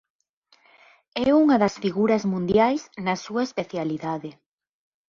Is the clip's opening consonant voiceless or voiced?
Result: voiced